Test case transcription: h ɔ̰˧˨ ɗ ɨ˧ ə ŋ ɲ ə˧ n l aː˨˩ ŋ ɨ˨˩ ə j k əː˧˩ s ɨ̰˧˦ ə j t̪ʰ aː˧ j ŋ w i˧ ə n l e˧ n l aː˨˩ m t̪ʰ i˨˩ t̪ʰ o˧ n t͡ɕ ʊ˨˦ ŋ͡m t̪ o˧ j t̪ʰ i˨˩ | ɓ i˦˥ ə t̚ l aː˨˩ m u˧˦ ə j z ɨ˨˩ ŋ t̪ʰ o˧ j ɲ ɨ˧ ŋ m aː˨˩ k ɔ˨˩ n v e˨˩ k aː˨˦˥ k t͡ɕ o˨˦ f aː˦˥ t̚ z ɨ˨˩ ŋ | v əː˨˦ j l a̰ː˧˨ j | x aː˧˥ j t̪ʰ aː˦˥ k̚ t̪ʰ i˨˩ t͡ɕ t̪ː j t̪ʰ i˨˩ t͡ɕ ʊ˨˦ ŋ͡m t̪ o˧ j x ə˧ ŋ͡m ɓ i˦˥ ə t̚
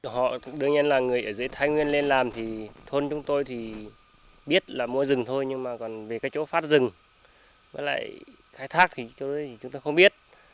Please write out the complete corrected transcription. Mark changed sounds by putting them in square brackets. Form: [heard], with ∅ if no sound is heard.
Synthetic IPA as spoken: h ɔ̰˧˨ ɗ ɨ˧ ə ŋ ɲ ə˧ n l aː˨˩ ŋ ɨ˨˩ ə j [ʔ] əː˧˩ [z] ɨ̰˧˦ ə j t̪ʰ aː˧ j ŋ w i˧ ə n l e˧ n l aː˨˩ m t̪ʰ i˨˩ t̪ʰ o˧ n t͡ɕ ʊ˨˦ ŋ͡m t̪ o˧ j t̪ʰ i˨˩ | ɓ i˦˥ ə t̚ l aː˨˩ m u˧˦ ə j z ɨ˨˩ ŋ t̪ʰ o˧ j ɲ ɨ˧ ŋ m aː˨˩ k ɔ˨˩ n v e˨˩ k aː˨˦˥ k t͡ɕ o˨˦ f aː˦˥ t̚ z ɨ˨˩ ŋ | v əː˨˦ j l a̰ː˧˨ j | x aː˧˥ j t̪ʰ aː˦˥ k̚ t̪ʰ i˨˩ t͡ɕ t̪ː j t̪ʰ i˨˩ t͡ɕ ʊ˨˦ ŋ͡m t̪ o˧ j x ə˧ ŋ͡m ɓ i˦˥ ə t̚